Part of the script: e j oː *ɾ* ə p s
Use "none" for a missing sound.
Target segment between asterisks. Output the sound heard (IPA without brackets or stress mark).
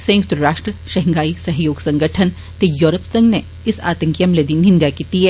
ɾ